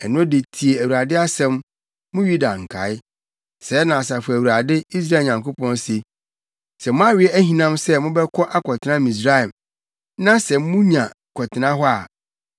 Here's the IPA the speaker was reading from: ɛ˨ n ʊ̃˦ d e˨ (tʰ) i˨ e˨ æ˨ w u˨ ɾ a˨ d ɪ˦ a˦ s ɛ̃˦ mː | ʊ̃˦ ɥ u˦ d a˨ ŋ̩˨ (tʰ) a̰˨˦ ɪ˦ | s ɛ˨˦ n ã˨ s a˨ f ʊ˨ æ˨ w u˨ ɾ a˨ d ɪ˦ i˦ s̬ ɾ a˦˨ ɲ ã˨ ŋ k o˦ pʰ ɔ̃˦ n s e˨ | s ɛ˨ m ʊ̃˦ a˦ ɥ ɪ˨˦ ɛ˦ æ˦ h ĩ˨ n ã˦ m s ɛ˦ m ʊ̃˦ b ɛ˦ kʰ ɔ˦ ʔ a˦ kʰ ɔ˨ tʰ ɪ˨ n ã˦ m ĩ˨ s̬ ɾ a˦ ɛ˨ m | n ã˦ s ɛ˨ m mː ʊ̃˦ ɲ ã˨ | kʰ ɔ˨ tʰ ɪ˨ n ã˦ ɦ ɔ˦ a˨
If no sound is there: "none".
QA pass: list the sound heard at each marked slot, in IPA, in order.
tʰ, kʰ

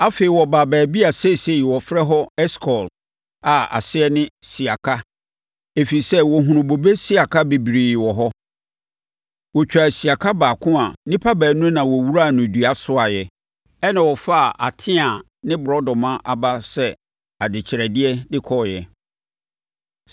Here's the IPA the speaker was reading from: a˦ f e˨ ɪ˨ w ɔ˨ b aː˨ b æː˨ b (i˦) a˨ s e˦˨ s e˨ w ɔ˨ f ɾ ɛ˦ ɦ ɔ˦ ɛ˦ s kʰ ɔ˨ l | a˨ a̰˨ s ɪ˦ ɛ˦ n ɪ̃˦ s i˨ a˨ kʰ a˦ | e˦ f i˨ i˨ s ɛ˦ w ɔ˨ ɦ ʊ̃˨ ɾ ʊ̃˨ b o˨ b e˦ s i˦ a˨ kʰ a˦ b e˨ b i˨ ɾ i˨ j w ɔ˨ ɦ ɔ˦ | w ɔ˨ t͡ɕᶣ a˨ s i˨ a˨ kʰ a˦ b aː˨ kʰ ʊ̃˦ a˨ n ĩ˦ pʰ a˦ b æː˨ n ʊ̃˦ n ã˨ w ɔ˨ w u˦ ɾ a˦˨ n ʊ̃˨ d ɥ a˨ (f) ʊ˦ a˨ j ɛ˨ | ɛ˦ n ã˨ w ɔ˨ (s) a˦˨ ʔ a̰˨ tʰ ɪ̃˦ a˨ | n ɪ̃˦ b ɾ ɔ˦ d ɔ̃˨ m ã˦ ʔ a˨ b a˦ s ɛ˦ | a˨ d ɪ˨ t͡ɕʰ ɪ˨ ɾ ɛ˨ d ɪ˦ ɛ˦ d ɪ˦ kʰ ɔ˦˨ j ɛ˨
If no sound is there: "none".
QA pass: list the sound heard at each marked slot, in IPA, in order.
i˦, s, f

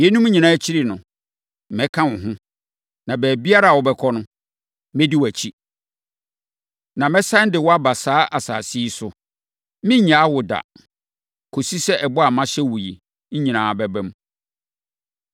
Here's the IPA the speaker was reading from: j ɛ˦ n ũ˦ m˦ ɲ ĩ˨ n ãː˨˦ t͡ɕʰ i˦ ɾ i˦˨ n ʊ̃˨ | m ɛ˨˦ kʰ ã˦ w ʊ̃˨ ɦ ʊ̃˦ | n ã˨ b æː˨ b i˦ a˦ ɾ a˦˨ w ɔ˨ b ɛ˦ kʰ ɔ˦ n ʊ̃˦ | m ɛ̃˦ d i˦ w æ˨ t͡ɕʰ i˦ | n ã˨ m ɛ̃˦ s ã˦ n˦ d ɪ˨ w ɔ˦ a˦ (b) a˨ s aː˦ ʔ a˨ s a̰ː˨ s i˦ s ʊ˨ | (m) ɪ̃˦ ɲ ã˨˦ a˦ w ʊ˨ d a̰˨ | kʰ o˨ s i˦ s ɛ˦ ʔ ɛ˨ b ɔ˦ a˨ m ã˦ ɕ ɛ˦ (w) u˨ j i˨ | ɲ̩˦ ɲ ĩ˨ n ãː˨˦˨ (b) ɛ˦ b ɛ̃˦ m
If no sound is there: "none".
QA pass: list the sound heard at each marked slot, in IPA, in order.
b, m, w, b

